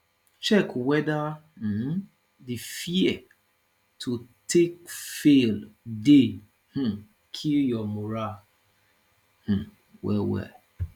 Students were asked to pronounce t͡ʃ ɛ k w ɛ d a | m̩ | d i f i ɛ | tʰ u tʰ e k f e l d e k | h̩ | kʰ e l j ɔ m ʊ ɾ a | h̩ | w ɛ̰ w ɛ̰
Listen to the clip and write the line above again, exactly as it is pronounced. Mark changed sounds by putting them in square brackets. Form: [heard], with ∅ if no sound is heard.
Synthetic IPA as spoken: t͡ʃ ɛ k w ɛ d a | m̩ | d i f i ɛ | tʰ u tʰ e k f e l d e [∅] | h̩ | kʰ [i] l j ɔ m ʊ ɾ a | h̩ | w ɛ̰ w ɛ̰